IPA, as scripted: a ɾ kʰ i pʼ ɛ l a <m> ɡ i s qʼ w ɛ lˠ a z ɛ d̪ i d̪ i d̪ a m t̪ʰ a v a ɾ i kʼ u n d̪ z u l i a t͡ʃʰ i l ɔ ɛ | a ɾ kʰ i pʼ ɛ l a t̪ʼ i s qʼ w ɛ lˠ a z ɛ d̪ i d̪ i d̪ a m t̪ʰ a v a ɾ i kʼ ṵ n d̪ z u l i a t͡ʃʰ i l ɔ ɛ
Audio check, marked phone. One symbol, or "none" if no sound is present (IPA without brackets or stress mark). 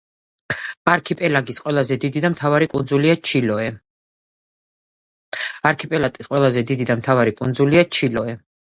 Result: none